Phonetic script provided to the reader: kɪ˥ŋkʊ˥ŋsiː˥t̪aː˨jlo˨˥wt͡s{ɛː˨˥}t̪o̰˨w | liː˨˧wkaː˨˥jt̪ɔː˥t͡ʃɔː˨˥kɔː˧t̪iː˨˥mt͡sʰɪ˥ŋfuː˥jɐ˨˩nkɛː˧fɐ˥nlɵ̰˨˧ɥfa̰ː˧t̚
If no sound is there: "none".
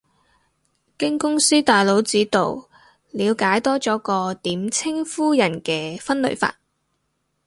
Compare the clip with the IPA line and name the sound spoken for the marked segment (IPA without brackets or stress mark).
iː˨˥